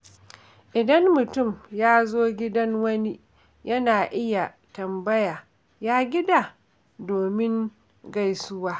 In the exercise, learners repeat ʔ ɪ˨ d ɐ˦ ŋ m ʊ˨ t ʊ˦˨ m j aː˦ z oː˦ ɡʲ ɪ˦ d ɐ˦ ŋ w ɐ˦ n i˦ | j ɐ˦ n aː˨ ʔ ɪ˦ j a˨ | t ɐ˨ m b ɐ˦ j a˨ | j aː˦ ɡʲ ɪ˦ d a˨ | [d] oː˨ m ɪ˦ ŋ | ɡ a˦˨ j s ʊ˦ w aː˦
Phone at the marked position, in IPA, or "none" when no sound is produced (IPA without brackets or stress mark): d